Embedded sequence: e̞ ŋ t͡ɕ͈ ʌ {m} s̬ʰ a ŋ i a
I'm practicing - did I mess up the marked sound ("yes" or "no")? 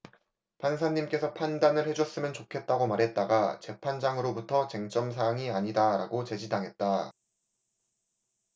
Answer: no